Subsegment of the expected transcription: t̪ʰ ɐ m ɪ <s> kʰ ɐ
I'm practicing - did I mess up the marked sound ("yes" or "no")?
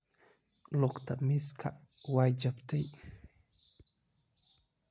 no